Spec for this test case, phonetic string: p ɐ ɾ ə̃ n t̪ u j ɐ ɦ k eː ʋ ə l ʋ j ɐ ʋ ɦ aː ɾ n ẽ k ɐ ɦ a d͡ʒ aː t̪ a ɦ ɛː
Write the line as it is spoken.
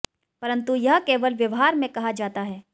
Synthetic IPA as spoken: p ɐ ɾ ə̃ n t̪ u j ɐ ɦ k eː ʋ ə l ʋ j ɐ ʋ ɦ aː ɾ m ẽ k ɐ ɦ a d͡ʒ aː t̪ a ɦ ɛː

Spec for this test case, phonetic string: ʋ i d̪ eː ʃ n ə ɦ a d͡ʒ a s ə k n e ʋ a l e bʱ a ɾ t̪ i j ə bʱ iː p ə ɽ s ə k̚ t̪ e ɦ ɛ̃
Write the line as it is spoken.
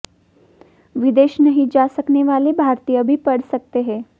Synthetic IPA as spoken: ʋ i d̪ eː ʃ n ə ɦ i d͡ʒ a s ə k n e ʋ a l e bʱ a ɾ t̪ i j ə bʱ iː p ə ɽ s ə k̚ t̪ e ɦ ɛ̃

